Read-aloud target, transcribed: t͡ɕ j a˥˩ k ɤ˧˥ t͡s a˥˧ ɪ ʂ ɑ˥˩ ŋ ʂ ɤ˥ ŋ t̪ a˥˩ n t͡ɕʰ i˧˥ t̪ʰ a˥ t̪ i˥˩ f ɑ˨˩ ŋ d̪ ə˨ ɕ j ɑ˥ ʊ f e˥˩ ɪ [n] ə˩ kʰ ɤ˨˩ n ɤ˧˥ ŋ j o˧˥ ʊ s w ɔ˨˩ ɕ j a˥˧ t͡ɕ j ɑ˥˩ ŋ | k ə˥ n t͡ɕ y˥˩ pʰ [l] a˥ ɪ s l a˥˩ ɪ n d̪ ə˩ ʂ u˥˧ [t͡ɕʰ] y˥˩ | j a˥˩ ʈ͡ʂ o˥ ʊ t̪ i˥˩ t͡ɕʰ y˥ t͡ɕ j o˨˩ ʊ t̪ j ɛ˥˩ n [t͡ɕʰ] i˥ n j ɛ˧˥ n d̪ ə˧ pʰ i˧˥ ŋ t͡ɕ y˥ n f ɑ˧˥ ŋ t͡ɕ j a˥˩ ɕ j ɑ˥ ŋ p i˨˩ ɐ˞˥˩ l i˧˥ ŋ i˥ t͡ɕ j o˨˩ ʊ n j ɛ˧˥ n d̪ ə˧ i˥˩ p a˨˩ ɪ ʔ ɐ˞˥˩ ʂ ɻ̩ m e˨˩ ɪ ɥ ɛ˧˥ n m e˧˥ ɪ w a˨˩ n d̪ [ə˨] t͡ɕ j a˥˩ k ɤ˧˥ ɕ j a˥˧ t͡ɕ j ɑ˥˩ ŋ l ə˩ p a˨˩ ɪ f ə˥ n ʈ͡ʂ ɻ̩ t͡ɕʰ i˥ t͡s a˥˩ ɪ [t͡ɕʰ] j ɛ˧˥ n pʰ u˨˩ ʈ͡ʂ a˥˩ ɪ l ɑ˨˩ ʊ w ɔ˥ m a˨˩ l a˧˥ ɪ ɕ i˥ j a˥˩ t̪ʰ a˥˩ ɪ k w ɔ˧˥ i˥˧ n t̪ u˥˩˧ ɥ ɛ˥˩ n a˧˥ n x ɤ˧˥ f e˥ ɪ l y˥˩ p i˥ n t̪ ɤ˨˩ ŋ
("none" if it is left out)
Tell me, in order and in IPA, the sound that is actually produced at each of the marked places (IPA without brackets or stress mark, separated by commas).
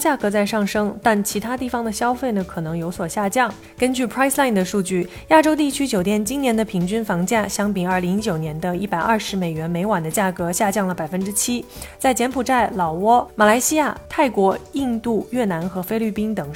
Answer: n, ɹ, t͡ɕ, t͡ɕ, ə˦, t͡ɕ